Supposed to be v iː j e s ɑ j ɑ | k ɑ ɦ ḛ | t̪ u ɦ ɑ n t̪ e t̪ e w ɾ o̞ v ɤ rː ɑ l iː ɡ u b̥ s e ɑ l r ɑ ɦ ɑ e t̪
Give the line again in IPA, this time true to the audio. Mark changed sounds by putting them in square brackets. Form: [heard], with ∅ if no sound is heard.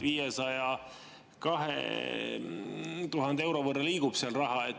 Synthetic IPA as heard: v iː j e s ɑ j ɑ | k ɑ ɦ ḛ | t̪ u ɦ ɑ n [d̪] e [∅] e w ɾ o̞ v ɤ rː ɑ l iː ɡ u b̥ s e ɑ l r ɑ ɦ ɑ e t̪